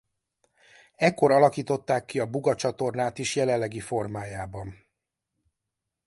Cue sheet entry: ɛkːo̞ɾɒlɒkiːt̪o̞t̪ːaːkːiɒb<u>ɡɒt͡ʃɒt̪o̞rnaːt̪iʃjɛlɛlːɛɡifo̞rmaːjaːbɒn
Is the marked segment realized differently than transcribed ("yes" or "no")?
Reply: no